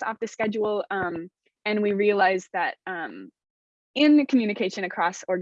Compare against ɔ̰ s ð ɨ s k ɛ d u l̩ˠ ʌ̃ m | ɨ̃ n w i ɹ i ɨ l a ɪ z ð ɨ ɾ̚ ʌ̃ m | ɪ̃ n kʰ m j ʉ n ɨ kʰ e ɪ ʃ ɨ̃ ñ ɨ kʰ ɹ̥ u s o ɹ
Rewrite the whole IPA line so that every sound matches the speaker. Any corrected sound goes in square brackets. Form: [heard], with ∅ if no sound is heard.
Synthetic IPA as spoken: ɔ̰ [f] ð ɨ s k ɛ [d͡ʒ] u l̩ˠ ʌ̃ m | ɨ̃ n w i ɹ i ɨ l a ɪ z ð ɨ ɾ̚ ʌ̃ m | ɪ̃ n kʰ m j ʉ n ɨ kʰ e ɪ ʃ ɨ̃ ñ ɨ kʰ ɹ̥ [ɔ] s [ɔ] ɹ